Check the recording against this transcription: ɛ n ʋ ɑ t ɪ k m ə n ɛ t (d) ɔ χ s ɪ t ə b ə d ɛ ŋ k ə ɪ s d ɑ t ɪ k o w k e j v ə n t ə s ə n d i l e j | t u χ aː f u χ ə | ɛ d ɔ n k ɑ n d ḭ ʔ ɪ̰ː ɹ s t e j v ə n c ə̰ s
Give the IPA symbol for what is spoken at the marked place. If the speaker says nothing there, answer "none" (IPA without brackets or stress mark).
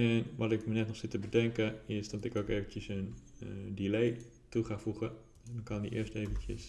n